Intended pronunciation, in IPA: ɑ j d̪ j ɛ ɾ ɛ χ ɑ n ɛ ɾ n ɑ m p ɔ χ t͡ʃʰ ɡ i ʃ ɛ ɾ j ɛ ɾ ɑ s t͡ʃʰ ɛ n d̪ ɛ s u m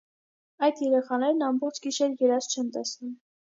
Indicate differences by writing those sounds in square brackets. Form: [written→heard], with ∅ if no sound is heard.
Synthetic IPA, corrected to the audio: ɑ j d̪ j ɛ ɾ ɛ χ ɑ n ɛ ɾ n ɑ m [p→b] ɔ χ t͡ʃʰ ɡ i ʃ ɛ ɾ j ɛ ɾ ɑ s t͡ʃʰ ɛ n [d̪→t̪] ɛ s u m

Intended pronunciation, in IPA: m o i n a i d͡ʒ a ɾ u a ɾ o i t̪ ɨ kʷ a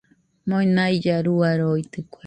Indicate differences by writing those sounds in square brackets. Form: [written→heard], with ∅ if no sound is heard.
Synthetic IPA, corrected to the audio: m o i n a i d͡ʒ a ɾ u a ɾ o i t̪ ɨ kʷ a

